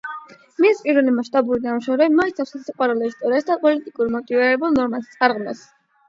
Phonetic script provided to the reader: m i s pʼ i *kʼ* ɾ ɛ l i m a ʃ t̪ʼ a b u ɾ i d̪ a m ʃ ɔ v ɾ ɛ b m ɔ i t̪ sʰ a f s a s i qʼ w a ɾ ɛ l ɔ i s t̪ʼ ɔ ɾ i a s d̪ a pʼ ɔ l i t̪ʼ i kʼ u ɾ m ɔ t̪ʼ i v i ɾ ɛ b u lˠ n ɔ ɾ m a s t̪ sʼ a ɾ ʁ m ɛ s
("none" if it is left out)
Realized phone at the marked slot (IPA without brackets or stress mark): none